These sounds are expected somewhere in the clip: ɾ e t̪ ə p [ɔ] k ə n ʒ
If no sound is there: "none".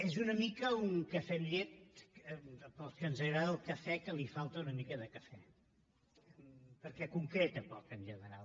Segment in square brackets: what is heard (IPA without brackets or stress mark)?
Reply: ɔ